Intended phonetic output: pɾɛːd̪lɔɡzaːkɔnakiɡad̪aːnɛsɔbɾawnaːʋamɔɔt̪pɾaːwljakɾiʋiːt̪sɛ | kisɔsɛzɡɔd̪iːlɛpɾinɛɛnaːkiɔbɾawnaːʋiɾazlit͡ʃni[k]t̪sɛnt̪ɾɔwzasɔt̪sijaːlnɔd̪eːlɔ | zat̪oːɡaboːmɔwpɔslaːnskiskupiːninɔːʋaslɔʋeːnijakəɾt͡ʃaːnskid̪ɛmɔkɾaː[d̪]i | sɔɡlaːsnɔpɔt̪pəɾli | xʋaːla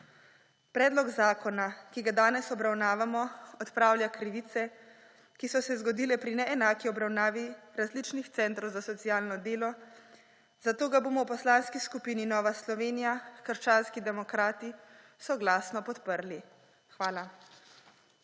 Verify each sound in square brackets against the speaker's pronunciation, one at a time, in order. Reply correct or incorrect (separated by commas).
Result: incorrect, incorrect